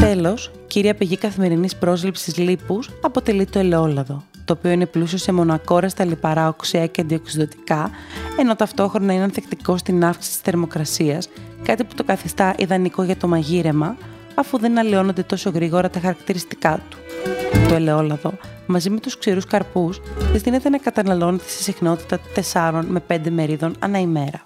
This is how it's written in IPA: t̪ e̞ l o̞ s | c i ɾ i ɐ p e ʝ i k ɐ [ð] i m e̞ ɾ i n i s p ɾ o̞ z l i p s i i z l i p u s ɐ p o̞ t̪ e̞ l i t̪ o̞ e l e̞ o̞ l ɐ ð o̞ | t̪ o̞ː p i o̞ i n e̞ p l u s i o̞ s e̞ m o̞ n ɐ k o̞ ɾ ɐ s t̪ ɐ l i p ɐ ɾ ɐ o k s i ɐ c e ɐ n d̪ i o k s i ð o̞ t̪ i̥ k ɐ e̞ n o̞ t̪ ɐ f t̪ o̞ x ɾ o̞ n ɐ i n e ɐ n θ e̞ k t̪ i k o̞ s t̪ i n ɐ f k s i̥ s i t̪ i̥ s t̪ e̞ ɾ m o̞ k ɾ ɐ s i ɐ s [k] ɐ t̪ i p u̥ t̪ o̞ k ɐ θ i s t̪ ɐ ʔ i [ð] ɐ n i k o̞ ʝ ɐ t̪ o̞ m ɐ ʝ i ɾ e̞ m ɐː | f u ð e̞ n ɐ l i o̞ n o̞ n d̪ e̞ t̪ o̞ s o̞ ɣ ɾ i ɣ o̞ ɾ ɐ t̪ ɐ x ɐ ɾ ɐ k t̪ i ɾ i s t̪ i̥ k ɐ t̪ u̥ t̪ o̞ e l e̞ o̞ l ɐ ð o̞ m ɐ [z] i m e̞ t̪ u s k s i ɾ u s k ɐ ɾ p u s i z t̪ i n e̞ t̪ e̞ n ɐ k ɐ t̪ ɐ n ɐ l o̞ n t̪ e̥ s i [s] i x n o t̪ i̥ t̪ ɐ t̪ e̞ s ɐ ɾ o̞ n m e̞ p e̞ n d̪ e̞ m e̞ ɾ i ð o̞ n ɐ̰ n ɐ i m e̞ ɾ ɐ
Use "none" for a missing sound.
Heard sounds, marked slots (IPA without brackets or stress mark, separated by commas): θ, k, ð, z, s